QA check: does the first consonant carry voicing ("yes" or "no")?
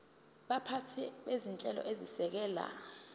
yes